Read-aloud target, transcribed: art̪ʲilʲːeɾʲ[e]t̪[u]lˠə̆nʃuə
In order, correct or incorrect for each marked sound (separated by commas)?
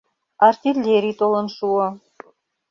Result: incorrect, incorrect